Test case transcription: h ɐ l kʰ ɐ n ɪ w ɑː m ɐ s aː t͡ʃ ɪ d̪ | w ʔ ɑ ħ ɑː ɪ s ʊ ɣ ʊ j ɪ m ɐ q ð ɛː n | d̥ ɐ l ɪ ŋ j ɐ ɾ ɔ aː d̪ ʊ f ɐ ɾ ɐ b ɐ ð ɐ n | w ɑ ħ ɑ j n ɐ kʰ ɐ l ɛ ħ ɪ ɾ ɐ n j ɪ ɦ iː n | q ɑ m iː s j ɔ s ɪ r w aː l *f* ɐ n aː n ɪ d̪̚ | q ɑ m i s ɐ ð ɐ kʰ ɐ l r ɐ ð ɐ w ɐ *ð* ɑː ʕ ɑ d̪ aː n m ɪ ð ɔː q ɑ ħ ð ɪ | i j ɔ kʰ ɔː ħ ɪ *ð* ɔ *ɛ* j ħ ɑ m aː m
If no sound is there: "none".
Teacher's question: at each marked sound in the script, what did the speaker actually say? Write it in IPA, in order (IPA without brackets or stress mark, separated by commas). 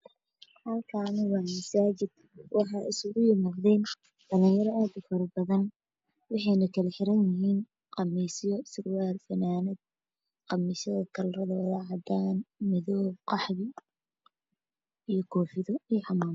f, ð, ð, i